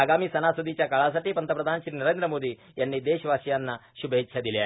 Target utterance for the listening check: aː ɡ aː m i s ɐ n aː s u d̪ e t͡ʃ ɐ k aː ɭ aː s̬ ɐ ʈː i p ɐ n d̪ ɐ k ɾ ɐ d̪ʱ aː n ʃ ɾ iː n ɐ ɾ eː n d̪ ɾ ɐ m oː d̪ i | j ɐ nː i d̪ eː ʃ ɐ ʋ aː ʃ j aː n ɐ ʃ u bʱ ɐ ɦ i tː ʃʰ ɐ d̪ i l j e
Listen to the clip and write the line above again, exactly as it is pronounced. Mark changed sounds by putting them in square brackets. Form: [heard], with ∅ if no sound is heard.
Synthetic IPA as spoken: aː ɡ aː m i s ɐ n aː s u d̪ [i] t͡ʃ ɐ k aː ɭ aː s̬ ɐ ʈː i p ɐ n [t̪] ɐ [p] ɾ ɐ d̪ʱ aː n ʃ ɾ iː n ɐ ɾ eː n d̪ ɾ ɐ m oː d̪ i | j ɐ nː i d̪ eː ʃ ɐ ʋ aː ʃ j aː [nː] ɐ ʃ u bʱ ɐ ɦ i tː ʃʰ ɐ d̪ i l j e